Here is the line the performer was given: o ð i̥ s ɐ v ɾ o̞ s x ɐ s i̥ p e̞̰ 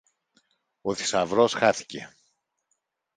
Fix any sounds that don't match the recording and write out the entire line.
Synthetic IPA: o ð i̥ s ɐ v ɾ o̞ s x ɐ θ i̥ c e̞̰